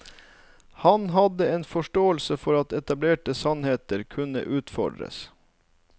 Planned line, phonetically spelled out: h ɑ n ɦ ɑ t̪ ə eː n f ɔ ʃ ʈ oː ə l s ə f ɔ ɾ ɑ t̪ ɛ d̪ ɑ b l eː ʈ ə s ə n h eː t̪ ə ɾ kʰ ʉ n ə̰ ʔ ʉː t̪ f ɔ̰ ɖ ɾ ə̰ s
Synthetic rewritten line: h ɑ n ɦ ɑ d̪ ə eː n f ɔ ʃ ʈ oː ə l s ə f ɔ ɾ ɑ t̪ ɛ t̪ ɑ b l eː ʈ ə s ɑ n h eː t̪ ə ɾ kʰ ʉ n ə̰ ʔ ʉː t̪ f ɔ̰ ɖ ɾ ə̰ s